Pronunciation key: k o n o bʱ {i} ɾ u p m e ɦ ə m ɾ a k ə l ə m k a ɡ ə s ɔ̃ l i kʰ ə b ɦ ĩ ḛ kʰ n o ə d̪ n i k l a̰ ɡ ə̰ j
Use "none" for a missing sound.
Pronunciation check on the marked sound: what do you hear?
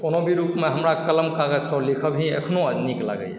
i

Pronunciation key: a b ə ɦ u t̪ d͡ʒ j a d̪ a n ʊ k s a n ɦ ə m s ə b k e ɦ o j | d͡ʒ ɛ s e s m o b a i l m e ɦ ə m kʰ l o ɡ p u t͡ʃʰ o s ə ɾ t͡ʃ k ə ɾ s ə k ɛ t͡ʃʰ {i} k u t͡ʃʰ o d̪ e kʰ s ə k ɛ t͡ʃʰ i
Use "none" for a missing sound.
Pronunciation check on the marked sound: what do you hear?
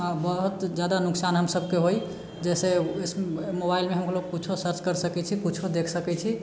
i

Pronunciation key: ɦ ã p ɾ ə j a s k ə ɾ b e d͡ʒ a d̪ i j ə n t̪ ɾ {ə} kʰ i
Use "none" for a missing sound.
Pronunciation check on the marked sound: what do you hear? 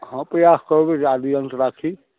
a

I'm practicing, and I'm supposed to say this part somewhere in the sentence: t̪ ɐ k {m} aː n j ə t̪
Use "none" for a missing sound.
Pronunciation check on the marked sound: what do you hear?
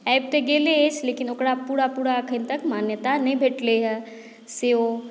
m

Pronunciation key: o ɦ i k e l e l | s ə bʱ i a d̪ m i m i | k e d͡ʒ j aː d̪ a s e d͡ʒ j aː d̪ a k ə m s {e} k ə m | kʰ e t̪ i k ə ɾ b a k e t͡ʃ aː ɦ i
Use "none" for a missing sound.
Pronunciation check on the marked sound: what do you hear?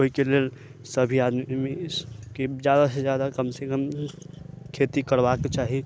e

